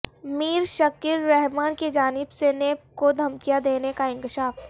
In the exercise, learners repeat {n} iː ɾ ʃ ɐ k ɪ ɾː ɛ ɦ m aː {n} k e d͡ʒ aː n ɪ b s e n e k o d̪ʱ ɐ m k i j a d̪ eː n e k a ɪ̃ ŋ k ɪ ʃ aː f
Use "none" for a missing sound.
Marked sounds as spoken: m, n

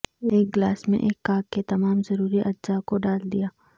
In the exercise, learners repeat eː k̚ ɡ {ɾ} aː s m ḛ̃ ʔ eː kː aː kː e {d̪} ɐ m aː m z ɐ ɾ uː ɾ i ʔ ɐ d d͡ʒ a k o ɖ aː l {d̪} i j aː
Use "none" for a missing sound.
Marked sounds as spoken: l, t̪, d̪

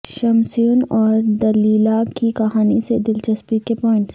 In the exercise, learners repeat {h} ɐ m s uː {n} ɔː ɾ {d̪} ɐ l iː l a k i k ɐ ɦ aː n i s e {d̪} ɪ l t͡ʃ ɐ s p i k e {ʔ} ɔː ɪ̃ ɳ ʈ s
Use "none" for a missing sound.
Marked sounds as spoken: ʃ, n, d̪, d̪, p

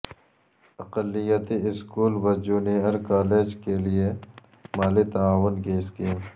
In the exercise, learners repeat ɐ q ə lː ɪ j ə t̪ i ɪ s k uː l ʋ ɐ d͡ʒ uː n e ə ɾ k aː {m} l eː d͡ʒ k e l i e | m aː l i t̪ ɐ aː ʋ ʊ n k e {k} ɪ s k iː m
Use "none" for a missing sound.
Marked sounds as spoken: none, none

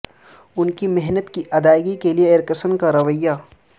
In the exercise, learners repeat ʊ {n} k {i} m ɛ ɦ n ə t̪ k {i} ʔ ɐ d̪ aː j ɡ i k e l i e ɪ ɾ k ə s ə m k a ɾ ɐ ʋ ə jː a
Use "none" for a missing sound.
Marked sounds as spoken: n, i, i

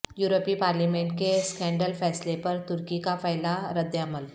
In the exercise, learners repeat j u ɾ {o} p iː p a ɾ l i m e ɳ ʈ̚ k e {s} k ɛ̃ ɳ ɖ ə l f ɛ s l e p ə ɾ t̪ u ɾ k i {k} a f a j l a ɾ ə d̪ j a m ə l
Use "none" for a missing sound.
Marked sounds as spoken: o, s, k

